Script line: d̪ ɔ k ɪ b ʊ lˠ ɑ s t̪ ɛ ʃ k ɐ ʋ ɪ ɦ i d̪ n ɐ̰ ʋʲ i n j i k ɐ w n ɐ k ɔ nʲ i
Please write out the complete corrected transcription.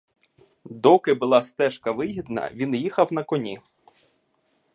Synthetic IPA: d̪ ɔ k ɪ b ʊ lˠ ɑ s t̪ ɛ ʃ k ɐ ʋ ɪ ɦ i d̪ n ɐ̰ ʋʲ i n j i x ɐ w n ɐ k ɔ nʲ i